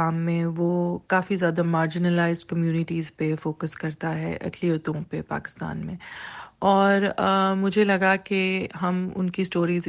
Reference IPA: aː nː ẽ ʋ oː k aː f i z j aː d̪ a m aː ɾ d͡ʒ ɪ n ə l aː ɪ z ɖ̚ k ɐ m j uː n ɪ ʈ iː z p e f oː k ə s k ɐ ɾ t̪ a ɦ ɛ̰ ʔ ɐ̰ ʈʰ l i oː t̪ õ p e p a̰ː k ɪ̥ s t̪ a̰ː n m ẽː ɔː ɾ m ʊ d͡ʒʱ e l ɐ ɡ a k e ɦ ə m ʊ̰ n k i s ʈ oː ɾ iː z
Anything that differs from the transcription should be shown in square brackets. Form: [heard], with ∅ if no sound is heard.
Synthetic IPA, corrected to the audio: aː [mː] ẽ ʋ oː k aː f i z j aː d̪ a m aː ɾ d͡ʒ ɪ n ə l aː ɪ z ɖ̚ k ɐ m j uː n ɪ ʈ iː z p e f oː k ə s k ɐ ɾ t̪ a ɦ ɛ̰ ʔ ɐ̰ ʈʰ l i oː t̪ õ p e p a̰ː k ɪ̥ s t̪ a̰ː n m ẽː ɔː ɾ m ʊ d͡ʒʱ e l ɐ ɡ a k e ɦ [ɐ] m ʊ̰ n k i s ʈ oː ɾ iː z